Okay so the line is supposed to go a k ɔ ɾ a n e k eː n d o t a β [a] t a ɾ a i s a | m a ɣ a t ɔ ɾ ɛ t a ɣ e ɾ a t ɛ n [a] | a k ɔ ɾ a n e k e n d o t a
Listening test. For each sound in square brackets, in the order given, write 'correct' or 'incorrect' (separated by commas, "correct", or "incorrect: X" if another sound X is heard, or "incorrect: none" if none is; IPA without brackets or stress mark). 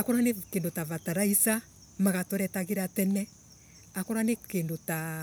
correct, incorrect: ɛ